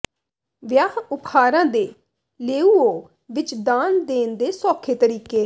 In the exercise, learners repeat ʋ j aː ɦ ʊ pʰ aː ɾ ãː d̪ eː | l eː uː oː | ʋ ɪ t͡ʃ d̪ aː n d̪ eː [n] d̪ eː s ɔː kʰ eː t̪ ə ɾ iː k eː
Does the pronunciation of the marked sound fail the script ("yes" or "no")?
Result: no